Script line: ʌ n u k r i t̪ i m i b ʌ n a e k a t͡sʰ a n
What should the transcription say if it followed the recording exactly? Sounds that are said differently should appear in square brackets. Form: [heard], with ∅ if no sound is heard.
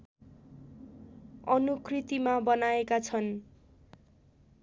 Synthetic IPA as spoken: ʌ n u k r i t̪ i m [a] b ʌ n a e k a t͡sʰ [ʌ] n